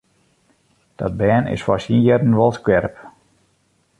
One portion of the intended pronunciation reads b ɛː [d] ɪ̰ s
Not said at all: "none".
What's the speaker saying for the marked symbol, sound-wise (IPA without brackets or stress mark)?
n